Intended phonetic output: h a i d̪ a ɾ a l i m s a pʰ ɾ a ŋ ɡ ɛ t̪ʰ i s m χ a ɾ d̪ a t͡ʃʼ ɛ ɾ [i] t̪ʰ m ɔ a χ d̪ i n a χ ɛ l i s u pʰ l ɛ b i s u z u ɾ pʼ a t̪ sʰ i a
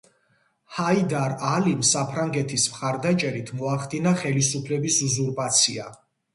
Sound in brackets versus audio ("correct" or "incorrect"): correct